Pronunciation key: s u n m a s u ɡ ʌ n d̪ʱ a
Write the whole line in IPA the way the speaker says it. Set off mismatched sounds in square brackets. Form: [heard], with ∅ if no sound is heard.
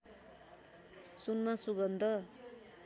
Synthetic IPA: s u n m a s u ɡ ʌ n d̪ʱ [ʌ]